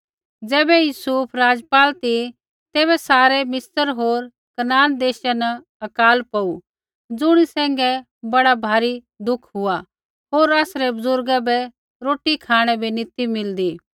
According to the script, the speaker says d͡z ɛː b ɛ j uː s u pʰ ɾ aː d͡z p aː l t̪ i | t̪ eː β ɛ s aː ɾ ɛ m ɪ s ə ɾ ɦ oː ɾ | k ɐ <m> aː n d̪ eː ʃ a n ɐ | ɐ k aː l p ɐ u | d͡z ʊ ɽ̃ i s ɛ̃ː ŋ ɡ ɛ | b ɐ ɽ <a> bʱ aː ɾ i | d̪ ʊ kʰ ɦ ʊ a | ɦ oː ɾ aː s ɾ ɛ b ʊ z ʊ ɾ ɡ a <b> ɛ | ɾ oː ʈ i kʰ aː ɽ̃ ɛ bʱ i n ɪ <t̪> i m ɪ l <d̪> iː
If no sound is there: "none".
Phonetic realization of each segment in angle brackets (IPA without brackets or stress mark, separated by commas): n, a, b, t̪, d̪